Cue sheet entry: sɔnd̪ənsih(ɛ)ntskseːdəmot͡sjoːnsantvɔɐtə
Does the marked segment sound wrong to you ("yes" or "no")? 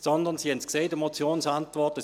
no